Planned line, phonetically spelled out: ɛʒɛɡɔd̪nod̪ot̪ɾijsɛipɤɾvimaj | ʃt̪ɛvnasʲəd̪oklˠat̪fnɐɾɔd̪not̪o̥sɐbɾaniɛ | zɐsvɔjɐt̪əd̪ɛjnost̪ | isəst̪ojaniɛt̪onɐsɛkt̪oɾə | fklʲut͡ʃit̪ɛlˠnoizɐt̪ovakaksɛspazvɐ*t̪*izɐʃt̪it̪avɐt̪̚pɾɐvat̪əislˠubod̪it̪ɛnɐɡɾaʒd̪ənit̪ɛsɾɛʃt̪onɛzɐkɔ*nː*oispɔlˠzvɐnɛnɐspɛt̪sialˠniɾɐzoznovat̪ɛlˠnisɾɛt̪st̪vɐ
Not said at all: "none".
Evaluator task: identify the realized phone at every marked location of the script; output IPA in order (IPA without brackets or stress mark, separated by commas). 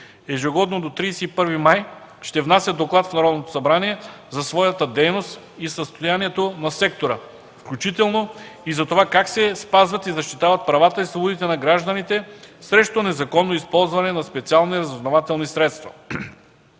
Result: t̪, nː